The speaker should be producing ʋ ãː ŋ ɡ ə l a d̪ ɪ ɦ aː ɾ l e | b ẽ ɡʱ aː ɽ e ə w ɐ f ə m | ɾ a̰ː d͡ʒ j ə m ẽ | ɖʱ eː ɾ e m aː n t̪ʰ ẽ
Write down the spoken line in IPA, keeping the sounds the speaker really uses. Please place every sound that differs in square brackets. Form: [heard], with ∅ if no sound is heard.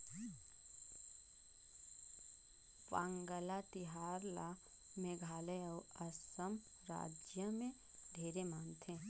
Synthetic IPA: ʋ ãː ŋ ɡ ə l a [t̪] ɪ ɦ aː ɾ l [a] | [m] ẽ ɡʱ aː [l] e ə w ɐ [s] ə m | ɾ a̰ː d͡ʒ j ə m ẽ | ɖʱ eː ɾ e m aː n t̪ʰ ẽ